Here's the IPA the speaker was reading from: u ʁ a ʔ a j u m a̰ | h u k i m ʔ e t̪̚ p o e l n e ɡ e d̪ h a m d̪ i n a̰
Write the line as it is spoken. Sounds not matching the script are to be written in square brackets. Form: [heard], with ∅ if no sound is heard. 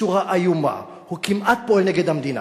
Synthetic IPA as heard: u ʁ a ʔ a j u m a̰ | h u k i m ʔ [a] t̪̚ p o e l n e ɡ e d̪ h a m d̪ i n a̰